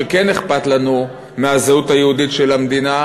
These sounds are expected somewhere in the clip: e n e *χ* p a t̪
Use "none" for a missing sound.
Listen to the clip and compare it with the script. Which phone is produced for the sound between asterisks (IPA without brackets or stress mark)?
χ